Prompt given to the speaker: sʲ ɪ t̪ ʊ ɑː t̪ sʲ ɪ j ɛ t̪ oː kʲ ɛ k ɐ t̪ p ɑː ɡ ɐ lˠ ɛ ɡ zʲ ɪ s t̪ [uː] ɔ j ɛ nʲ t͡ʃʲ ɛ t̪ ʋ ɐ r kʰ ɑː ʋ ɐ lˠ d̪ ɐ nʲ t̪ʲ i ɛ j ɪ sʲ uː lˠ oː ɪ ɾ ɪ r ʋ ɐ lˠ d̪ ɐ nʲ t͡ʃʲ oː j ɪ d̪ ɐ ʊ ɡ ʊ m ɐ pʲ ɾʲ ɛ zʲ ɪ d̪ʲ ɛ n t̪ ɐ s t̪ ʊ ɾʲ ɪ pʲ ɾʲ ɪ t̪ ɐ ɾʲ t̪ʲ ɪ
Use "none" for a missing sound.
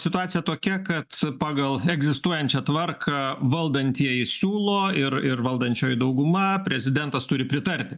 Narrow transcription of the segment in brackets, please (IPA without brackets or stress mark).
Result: u